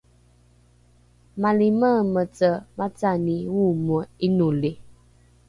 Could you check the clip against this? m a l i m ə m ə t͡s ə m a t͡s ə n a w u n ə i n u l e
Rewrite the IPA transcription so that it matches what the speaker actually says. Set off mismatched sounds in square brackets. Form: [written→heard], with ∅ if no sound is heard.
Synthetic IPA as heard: m a l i m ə m ə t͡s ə m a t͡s [ə→a] n [a→i] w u [n→m] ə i n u l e